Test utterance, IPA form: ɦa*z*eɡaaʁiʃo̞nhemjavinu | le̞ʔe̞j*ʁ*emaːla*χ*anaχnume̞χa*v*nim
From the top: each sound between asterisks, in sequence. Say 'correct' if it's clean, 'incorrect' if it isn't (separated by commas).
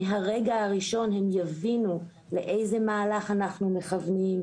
incorrect, incorrect, correct, correct